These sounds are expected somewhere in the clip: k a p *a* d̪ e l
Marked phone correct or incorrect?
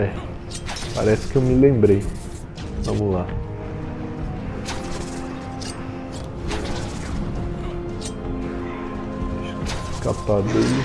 correct